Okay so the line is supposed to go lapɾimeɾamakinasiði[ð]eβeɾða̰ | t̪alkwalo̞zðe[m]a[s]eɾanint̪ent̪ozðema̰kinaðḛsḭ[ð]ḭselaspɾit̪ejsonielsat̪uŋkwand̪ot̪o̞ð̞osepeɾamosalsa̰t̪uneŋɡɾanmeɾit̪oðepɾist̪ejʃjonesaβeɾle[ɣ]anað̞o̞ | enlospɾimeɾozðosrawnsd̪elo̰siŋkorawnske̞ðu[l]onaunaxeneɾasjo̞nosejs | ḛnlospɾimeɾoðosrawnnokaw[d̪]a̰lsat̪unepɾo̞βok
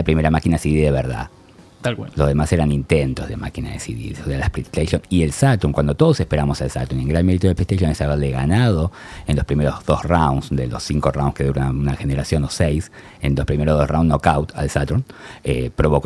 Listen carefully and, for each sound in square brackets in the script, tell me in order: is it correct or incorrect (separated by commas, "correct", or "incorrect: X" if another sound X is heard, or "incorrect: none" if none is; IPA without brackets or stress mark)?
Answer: correct, correct, correct, correct, correct, incorrect: ɾ, incorrect: t̪